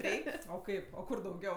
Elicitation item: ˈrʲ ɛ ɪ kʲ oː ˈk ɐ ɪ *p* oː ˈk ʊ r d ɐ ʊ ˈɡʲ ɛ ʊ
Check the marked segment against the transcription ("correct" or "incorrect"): correct